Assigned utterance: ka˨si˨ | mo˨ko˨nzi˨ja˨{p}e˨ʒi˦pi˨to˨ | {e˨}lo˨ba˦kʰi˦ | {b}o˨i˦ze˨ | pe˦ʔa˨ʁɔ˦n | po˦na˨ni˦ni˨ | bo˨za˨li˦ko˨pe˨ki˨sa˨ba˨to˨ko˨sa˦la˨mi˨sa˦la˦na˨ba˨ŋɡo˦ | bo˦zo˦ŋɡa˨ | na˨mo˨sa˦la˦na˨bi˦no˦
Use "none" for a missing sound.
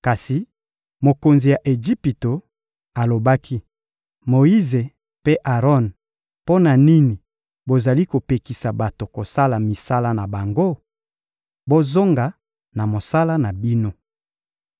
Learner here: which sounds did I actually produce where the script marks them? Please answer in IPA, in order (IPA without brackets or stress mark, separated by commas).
ʔ, a˨, m